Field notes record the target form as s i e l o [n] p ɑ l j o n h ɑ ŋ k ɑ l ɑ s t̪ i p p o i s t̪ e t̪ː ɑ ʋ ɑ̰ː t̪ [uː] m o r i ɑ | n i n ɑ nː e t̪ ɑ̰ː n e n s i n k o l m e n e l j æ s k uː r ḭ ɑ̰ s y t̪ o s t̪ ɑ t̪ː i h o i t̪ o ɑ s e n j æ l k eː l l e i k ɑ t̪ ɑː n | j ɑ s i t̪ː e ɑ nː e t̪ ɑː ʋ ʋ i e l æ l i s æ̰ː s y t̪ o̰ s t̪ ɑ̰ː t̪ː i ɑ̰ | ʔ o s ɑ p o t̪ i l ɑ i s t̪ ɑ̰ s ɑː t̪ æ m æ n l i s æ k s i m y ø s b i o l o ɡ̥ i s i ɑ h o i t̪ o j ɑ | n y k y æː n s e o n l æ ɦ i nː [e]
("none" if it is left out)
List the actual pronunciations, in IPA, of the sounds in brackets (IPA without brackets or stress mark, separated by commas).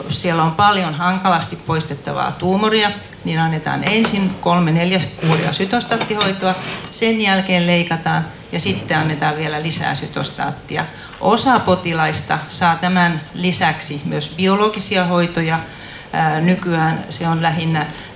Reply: m, uː, æ